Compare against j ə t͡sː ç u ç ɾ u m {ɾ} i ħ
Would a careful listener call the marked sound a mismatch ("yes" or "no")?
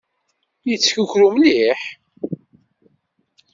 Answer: yes